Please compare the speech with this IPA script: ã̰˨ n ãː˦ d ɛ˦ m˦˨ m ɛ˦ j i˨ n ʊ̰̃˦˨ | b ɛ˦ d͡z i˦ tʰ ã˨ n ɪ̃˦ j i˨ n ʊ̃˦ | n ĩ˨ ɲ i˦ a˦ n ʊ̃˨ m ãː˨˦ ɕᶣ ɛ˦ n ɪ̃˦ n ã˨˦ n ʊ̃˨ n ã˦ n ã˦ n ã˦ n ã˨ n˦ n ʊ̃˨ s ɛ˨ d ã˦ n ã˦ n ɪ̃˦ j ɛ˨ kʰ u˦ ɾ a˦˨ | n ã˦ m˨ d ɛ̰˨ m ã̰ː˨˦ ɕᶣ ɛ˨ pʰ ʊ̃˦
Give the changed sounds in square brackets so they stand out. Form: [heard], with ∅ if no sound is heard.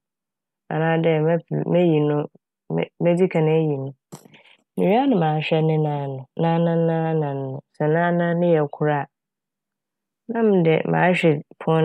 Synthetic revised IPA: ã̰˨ n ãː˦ d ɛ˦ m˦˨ m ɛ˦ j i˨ n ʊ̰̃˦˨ | [m] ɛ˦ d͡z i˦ [kʰ] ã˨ n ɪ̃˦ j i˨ n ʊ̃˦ | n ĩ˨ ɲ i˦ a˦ n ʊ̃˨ m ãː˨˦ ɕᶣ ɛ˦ n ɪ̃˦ n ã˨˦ n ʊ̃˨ n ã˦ n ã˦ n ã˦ n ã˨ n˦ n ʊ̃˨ s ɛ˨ [n] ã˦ n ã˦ n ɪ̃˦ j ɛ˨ kʰ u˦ ɾ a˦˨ | n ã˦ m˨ d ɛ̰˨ m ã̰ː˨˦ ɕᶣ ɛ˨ pʰ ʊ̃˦